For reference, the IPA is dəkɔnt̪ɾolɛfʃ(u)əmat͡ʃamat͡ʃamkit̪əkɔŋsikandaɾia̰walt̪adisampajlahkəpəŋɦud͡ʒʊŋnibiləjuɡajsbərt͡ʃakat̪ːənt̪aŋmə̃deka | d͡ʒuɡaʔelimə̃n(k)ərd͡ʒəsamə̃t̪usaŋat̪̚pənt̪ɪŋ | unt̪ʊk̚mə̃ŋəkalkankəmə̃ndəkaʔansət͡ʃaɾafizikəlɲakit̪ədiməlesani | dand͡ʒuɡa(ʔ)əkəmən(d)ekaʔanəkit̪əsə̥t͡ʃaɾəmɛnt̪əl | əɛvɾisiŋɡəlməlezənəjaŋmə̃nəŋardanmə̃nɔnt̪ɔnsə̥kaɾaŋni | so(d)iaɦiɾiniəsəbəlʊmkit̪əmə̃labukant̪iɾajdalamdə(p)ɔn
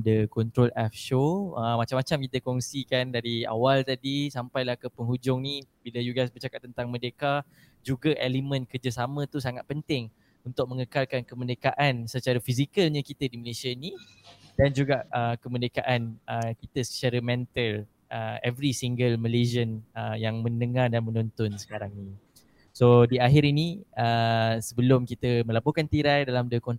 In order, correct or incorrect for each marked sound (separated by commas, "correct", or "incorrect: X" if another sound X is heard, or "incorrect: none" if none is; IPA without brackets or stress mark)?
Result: incorrect: o, correct, correct, correct, correct, incorrect: k